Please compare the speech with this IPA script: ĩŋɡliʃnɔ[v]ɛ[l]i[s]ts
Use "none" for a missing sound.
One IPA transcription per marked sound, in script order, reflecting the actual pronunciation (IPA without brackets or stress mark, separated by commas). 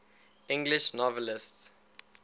v, l, s